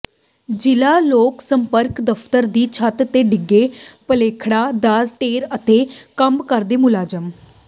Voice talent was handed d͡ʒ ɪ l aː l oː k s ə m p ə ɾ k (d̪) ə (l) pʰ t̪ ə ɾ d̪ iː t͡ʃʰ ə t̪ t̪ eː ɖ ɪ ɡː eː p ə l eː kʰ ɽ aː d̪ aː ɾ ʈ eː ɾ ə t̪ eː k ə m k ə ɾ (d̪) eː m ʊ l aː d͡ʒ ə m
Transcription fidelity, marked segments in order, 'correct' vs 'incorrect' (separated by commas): correct, incorrect, correct